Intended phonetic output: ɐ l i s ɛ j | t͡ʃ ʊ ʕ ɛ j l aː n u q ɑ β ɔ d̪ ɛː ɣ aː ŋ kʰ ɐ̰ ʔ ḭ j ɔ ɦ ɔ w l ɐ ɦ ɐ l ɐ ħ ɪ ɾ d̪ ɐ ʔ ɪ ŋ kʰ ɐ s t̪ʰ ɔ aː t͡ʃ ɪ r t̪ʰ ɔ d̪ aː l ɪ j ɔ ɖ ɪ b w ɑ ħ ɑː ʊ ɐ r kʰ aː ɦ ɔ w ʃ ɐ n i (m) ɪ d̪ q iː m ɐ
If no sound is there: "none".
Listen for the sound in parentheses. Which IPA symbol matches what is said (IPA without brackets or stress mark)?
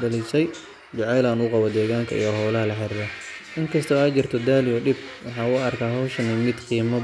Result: m